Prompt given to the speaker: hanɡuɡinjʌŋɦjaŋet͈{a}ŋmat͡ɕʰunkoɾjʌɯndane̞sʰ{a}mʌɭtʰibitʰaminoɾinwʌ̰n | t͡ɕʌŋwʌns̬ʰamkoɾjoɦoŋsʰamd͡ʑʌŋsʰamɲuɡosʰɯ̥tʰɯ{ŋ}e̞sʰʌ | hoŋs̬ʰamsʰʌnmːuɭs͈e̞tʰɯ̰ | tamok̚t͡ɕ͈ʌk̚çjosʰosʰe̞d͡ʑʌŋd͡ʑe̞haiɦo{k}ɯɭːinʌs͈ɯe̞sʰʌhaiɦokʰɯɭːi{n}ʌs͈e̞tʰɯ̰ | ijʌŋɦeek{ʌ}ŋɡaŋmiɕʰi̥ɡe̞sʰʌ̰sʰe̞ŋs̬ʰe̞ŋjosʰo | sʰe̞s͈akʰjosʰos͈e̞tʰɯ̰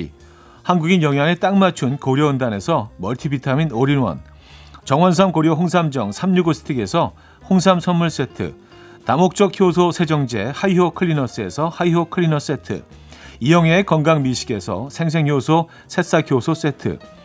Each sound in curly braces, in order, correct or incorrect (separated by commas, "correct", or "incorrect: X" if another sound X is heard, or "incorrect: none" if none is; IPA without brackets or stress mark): correct, incorrect: ʌ, incorrect: ɡ, incorrect: kʰ, correct, correct